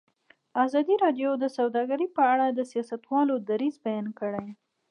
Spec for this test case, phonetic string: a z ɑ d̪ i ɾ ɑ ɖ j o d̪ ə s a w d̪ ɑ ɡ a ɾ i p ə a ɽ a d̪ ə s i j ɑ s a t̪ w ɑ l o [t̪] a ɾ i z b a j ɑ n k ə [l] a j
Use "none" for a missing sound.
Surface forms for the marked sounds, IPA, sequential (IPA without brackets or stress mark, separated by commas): d̪, ɽ